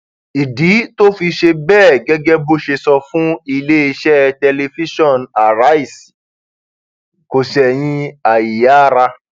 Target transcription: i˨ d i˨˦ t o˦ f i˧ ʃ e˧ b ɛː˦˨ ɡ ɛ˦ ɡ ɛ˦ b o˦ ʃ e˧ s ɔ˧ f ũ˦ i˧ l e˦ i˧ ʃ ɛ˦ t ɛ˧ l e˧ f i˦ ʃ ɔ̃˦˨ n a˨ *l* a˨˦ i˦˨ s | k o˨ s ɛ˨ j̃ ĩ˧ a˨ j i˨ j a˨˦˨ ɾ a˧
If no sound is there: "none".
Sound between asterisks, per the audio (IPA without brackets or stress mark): ɾ